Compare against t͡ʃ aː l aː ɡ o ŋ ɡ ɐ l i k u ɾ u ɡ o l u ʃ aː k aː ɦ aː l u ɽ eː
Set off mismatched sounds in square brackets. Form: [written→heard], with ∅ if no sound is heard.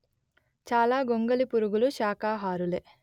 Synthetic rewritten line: t͡ʃ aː l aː ɡ o ŋ ɡ ɐ l i [k→p] u ɾ u ɡ [o→u] l u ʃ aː k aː ɦ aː [l→ɾ] u [ɽ→l] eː